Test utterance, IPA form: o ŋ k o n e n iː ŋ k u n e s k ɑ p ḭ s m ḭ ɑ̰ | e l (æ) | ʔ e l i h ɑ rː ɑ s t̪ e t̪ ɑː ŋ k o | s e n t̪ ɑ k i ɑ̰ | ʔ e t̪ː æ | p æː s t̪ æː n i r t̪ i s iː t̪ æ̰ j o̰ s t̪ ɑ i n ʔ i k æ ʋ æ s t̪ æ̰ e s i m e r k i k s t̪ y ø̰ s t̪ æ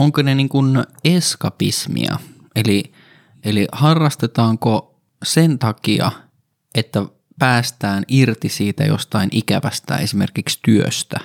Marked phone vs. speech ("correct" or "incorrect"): incorrect